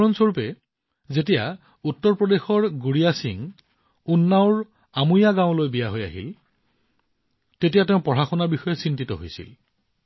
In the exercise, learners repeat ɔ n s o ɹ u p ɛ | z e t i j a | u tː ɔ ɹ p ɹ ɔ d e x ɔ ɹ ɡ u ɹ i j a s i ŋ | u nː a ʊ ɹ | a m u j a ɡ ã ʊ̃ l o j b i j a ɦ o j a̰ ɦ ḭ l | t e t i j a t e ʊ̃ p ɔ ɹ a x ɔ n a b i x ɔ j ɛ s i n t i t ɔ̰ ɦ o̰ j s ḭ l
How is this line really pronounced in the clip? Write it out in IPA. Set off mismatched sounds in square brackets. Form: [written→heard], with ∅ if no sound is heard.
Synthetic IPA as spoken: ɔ n s o ɹ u p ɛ | z e t i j a | u tː ɔ ɹ p ɹ ɔ d e x ɔ ɹ ɡ u ɹ i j a s i ŋ | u nː a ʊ ɹ | a m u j a ɡ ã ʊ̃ l o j b i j a ɦ o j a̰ ɦ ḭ l | t e t i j a t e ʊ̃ p ɔ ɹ a x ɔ n a b i x ɔ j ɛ s i n t i t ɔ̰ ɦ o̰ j s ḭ l